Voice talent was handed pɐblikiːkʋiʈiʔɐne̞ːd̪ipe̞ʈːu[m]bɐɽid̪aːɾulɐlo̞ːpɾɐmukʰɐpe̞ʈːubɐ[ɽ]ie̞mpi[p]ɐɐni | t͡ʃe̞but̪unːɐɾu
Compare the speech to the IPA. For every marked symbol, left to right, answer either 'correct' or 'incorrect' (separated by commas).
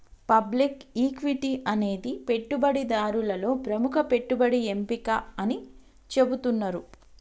incorrect, correct, incorrect